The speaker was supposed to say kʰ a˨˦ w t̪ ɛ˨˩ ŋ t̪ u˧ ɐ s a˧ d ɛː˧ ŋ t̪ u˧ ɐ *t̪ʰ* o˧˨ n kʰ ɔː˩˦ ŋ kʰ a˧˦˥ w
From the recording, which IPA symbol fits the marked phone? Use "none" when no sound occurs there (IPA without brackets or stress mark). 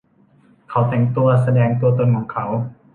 t̪